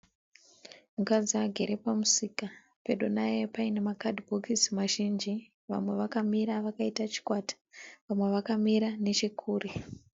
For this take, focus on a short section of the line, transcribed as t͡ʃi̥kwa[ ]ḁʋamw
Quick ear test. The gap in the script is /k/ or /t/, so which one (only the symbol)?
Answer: t